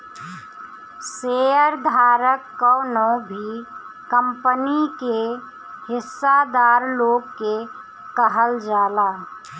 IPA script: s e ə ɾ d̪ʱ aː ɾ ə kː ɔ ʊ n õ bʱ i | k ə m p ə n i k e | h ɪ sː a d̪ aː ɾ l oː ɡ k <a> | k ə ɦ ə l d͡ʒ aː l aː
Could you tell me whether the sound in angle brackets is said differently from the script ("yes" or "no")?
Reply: yes